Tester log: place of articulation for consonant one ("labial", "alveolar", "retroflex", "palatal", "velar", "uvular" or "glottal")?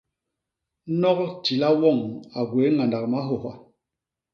alveolar